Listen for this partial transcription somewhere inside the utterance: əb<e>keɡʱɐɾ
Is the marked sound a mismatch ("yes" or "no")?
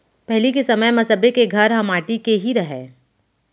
no